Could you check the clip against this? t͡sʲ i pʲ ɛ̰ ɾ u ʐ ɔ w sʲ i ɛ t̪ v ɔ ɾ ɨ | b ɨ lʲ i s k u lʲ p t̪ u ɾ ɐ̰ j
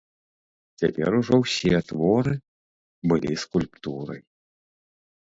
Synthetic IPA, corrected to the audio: t͡sʲ a pʲ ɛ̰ ɾ u ʐ ɔ w sʲ i ɛ t̪ v ɔ ɾ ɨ | b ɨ lʲ i s k u lʲ p t̪ u ɾ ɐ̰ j